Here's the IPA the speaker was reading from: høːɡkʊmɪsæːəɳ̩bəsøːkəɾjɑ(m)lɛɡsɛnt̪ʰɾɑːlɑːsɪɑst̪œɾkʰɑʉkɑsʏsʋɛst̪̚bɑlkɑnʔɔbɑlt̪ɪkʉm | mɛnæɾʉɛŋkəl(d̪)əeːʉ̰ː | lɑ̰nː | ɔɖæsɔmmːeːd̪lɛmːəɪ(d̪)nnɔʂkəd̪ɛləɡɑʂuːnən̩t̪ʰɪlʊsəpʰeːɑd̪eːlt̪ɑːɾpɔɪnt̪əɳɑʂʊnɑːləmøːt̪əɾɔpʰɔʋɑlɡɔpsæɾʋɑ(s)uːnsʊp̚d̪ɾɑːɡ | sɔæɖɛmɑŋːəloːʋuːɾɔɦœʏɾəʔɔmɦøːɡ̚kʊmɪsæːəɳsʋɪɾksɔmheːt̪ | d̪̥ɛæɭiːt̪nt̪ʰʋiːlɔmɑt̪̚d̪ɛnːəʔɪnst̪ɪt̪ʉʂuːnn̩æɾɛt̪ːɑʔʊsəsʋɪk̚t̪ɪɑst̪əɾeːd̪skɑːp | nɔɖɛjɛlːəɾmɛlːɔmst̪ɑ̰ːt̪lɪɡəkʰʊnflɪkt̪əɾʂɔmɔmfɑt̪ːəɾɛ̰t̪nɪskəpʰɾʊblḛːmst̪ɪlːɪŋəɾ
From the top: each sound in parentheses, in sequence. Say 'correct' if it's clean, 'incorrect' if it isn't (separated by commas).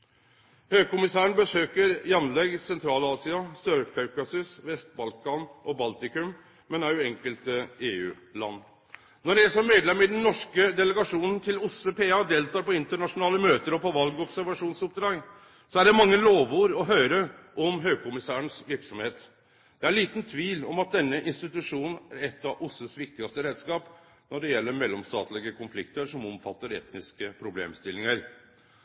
incorrect, incorrect, correct, incorrect